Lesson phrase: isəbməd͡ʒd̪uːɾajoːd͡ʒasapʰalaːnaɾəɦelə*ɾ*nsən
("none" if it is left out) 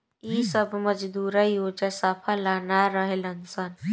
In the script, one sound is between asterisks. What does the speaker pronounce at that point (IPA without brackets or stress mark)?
none